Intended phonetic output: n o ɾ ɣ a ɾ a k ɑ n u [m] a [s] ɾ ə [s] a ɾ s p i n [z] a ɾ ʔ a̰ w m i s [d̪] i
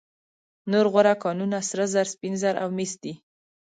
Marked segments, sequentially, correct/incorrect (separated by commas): incorrect, correct, incorrect, correct, correct